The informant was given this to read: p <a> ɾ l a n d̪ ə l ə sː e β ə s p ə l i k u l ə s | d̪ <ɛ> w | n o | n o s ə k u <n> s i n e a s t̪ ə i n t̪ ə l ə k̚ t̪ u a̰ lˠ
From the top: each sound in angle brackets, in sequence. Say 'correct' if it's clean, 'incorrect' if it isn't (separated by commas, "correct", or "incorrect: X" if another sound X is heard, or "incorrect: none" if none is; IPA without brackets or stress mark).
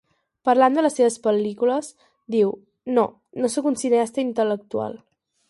incorrect: ə, incorrect: i, correct